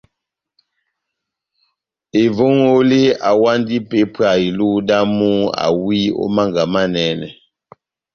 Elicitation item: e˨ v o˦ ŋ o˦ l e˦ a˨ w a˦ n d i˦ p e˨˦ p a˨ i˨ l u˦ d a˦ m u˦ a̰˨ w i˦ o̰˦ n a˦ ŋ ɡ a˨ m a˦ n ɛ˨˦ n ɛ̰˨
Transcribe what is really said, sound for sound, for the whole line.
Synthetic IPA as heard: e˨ v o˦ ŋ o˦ l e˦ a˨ w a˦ n d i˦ p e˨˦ p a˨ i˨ l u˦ d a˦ m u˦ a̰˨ w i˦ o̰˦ m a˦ ŋ ɡ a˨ m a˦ n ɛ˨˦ n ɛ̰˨